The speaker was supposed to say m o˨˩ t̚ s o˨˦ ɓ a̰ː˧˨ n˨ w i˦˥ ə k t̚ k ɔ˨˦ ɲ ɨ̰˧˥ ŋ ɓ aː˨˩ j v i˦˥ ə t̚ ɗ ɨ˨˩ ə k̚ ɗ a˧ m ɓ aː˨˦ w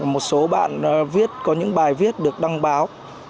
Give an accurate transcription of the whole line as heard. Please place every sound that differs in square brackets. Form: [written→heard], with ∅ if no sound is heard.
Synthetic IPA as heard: m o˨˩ t̚ s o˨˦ ɓ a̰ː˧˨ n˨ [w→v] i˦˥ ə [k→∅] t̚ k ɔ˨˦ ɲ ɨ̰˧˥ ŋ ɓ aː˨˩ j v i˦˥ ə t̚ ɗ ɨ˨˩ ə k̚ ɗ a˧ [m→ŋ] ɓ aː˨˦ w